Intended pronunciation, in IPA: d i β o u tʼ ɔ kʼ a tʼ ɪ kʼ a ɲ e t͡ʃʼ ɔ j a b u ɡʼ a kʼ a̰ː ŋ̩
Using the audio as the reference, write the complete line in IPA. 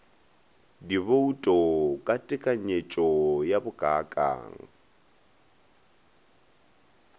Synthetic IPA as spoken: d i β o u tʼ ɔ kʼ a tʼ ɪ kʼ a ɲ e t͡ʃʼ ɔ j a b ʊ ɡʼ a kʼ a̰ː ŋ̩